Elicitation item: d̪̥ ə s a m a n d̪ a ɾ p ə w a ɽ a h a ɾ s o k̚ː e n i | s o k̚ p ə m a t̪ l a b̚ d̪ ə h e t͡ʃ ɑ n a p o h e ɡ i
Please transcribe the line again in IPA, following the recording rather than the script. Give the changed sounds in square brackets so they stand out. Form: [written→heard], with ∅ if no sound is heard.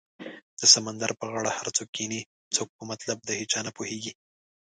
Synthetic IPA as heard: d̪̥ ə s a m a n d̪ a ɾ p ə [w→ɣ] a ɽ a h a ɾ [s→t͡s] o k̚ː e n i | [s→t͡s] o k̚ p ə m a t̪ l a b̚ d̪ ə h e t͡ʃ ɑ n a p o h e ɡ i